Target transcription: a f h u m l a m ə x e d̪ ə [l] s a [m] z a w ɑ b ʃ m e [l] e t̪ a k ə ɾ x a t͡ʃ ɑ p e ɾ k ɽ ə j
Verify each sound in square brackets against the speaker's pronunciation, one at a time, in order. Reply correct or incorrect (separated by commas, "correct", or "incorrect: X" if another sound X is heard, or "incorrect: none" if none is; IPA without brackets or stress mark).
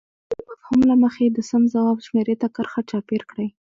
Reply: incorrect: none, correct, incorrect: ɾ